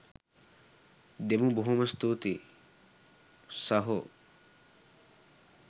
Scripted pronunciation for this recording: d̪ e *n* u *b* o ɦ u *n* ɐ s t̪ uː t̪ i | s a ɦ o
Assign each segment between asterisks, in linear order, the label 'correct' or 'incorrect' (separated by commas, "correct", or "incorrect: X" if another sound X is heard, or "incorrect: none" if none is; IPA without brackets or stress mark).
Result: incorrect: m, correct, incorrect: m